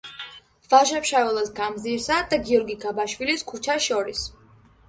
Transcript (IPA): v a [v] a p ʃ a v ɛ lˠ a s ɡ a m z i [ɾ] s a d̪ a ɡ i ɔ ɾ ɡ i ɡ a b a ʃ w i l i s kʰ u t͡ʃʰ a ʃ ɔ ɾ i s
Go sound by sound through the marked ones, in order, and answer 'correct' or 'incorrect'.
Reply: incorrect, correct

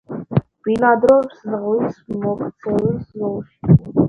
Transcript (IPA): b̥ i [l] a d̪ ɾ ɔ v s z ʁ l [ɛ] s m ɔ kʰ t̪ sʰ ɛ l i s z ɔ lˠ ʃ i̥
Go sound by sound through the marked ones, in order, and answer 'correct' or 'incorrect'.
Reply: correct, incorrect

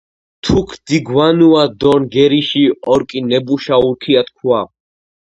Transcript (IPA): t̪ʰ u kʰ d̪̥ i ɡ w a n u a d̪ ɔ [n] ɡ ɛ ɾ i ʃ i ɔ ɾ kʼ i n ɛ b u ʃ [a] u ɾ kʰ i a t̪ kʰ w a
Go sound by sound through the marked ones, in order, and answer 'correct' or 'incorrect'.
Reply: correct, correct

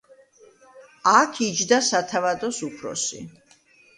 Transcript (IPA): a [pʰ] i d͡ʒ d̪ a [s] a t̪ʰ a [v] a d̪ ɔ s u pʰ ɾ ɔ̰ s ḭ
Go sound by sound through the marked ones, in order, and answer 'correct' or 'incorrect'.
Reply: incorrect, correct, correct

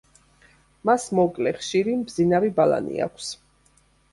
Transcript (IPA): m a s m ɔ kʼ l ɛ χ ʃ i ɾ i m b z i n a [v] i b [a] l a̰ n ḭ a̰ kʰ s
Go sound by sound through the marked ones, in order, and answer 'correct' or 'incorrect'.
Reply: correct, correct

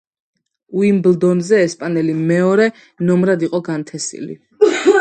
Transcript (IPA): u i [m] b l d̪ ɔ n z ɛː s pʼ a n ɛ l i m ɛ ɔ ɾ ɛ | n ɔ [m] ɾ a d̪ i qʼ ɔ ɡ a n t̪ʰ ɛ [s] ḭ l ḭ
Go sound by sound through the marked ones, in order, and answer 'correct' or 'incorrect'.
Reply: correct, correct, correct

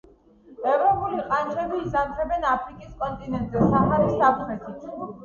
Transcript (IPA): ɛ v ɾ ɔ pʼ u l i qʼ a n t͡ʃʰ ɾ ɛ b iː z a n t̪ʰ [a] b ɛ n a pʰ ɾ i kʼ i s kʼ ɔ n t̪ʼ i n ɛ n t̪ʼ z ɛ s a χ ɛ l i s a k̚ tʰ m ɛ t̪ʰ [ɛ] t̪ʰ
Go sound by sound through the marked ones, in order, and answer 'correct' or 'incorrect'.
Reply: incorrect, incorrect

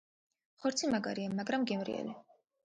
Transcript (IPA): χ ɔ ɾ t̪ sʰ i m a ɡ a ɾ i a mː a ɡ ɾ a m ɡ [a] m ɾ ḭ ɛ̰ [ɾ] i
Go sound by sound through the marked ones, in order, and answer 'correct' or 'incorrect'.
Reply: incorrect, incorrect

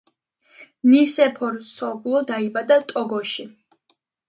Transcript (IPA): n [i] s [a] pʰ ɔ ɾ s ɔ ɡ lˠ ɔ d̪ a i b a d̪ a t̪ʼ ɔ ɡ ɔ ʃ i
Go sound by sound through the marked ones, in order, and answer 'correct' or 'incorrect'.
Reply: correct, incorrect

